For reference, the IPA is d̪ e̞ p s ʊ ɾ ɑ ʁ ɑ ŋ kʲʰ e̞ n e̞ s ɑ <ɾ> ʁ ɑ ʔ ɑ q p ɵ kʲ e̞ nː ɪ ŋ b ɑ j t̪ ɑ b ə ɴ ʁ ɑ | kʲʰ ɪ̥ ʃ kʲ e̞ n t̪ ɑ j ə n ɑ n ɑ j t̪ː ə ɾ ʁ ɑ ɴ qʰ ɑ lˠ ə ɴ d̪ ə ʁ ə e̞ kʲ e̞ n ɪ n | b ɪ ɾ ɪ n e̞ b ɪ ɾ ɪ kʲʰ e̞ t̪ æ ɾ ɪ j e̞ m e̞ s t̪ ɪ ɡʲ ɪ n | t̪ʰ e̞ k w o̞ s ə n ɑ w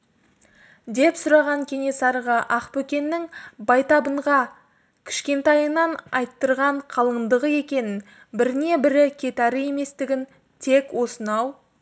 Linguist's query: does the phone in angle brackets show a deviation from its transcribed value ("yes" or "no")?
no